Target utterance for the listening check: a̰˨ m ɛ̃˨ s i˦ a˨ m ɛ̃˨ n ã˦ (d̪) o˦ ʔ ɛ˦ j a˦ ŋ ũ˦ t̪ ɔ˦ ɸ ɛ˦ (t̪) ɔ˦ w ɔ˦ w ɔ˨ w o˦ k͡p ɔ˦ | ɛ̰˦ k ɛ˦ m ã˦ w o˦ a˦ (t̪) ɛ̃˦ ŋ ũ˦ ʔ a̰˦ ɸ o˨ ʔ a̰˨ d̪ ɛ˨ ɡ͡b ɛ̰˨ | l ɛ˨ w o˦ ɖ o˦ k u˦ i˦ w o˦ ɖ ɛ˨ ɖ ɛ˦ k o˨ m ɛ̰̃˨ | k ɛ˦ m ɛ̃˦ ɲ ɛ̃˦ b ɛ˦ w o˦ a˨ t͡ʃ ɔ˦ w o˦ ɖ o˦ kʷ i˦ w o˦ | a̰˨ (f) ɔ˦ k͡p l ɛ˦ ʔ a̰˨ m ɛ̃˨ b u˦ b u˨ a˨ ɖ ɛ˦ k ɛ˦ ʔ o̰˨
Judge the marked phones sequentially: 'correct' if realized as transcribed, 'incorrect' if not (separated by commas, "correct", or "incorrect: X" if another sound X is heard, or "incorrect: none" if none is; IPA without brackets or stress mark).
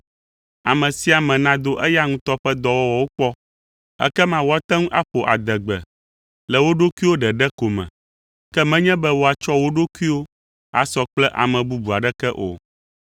correct, incorrect: d̪, correct, incorrect: s